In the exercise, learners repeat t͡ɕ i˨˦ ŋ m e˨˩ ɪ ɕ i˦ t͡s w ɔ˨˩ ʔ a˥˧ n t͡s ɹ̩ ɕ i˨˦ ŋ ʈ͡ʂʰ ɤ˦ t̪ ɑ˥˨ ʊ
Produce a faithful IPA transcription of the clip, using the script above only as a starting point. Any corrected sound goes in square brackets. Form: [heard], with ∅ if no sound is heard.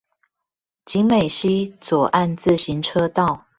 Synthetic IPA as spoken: t͡ɕ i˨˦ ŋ m e˨˩ ɪ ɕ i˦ t͡s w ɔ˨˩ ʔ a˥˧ n t͡s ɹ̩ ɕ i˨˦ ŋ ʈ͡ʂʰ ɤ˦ t̪ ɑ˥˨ ʊ